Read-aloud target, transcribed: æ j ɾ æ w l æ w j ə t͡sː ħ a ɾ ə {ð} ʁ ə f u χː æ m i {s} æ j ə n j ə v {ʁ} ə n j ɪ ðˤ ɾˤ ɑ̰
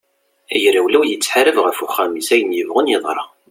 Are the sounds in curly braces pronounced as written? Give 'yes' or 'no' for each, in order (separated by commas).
no, yes, yes